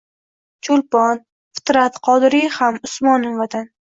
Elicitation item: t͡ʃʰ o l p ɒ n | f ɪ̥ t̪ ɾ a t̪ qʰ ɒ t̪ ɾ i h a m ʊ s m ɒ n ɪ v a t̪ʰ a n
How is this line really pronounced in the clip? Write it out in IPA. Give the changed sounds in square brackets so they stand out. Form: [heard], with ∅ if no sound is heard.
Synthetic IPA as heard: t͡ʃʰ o l p ɒ n | f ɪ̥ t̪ ɾ a t̪ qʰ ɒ [d̪] ɾ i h a m ʊ s m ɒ n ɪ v a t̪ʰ a n